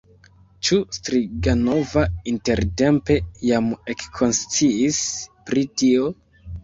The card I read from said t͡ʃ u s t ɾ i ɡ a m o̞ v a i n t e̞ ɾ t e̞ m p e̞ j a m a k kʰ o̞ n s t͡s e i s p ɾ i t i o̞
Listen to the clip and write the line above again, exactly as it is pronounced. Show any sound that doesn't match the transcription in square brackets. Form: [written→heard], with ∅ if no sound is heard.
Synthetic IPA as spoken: t͡ʃ u s t ɾ i ɡ a [m→n] o̞ v a i n t e̞ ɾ t e̞ m p e̞ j a m [a→e] k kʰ o̞ n s t͡s [e→i] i s p ɾ i t i o̞